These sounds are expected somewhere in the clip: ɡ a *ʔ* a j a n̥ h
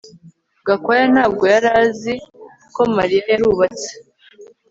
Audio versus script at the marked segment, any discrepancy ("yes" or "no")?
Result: yes